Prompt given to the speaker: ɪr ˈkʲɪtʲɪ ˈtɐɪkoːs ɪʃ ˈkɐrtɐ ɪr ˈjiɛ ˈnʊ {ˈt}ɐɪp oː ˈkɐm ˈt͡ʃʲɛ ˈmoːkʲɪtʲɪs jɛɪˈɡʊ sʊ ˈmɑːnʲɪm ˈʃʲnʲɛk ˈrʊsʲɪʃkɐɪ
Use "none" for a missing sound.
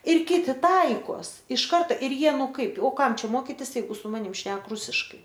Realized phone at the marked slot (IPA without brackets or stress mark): k